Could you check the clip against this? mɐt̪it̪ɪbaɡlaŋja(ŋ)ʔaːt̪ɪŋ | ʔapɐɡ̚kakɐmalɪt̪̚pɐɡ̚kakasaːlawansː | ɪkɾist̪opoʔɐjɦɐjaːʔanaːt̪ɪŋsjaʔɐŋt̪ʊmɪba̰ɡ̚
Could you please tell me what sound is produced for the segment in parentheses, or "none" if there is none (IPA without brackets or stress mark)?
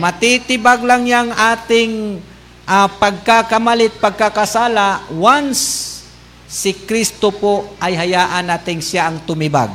ŋ